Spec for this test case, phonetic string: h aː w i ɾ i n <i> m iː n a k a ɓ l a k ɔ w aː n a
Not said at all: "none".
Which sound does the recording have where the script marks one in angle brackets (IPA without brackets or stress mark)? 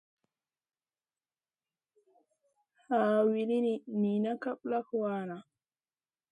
i